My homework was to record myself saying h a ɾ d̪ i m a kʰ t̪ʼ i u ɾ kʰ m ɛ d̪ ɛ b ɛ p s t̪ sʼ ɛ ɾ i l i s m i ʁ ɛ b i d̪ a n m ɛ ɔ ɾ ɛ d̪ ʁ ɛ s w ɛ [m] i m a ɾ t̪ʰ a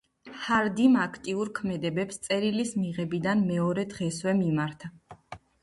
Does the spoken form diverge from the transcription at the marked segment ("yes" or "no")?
no